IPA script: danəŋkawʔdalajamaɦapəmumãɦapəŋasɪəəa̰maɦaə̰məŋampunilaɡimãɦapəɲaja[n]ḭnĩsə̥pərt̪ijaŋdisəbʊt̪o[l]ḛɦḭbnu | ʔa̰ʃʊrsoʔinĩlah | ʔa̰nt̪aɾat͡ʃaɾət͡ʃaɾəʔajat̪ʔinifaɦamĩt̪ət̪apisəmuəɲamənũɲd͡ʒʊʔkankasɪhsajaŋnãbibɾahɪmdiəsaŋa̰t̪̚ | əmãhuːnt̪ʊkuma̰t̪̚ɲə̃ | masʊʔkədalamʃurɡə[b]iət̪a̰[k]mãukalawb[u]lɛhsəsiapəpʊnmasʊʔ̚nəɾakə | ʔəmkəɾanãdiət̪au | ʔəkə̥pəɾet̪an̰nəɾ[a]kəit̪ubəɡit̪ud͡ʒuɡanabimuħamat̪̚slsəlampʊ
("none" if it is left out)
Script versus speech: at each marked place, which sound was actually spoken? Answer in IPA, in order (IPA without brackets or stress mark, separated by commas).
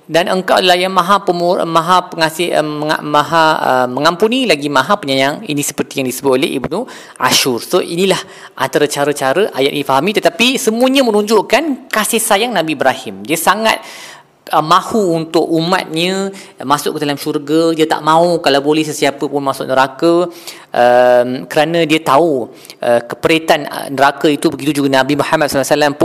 ŋ, l, d, ʔ, o, a